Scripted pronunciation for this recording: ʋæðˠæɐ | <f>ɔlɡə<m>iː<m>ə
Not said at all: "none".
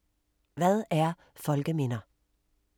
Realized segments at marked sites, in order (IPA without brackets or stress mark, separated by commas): f, m, n